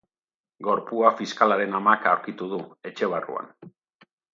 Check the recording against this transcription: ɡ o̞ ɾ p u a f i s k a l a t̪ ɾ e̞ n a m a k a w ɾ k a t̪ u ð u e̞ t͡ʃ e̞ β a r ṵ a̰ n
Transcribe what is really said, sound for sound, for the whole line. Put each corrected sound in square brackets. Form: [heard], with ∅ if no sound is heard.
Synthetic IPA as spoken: ɡ o̞ ɾ p u a f i s k a l a [∅] ɾ e̞ n a m a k a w ɾ k [i] t̪ u ð u e̞ t͡ʃ e̞ β a r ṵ a̰ n